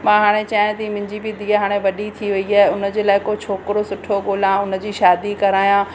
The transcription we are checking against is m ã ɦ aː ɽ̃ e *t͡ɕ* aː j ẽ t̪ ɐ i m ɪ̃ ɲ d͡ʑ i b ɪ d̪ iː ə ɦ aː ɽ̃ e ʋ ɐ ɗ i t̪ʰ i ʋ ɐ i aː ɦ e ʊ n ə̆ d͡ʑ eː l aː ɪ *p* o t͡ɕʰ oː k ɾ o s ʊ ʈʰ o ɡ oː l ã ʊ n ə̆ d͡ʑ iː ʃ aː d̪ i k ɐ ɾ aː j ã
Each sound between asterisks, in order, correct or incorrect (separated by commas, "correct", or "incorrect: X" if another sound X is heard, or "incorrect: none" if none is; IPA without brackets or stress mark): correct, incorrect: k